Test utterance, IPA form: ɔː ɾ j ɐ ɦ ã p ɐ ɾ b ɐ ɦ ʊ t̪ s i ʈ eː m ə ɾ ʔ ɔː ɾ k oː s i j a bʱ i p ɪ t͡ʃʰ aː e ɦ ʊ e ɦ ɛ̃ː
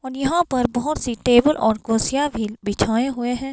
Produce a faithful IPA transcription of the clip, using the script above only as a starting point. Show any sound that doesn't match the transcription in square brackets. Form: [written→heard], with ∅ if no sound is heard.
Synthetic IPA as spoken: ɔː ɾ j ɐ ɦ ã p ɐ ɾ b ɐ ɦ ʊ t̪ s i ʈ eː [m→b] ə [ɾ→l] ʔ ɔː ɾ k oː s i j a bʱ i [p→b] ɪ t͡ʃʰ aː e ɦ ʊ e ɦ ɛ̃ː